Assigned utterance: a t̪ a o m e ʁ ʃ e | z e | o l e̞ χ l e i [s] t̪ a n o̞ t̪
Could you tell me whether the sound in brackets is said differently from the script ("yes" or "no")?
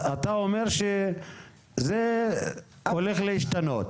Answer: yes